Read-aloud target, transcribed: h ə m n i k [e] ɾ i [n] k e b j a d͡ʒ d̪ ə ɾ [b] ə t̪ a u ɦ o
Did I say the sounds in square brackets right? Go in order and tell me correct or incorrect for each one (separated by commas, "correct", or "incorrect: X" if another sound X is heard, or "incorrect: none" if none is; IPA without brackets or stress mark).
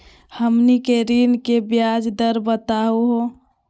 correct, correct, correct